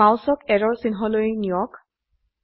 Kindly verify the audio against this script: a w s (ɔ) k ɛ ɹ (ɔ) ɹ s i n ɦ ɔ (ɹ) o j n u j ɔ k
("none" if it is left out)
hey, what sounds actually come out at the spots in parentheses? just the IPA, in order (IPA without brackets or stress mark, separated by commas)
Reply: ɔ, ɔ, l